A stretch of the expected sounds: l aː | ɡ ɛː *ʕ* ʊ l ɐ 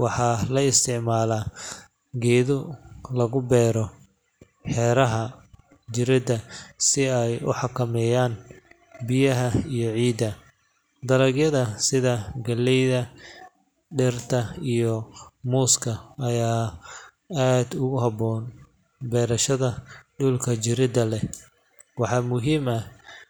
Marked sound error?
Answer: yes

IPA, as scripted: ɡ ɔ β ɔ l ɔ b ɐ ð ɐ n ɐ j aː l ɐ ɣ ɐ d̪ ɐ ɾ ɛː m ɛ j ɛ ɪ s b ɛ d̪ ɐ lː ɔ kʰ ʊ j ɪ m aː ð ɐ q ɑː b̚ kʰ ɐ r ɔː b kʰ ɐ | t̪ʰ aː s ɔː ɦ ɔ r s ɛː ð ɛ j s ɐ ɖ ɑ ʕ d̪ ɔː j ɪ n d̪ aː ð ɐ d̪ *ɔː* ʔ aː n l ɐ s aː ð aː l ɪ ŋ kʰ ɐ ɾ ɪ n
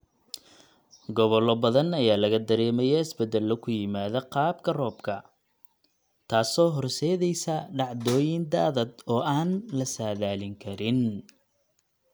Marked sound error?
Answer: no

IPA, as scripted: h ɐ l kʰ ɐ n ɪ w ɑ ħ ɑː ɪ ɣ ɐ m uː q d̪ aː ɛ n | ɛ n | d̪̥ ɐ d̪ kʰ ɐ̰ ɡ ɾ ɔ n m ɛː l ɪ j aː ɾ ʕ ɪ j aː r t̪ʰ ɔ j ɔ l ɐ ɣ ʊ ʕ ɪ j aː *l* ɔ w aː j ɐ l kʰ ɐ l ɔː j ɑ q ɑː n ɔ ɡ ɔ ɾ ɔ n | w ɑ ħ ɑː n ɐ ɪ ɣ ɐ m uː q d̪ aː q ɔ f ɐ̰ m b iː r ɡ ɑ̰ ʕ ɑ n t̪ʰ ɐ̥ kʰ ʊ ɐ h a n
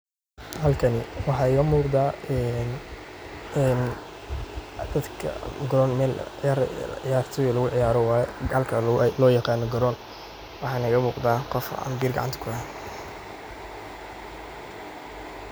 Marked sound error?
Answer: yes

